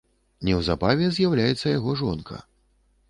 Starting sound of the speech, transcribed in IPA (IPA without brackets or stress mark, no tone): nʲ